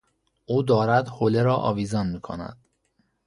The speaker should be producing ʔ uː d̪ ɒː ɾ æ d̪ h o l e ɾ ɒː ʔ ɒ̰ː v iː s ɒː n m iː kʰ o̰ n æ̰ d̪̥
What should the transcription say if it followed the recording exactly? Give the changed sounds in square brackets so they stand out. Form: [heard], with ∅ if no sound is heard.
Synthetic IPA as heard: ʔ uː d̪ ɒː ɾ æ d̪ h o l e ɾ ɒː ʔ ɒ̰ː v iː [z] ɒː n m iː kʰ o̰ n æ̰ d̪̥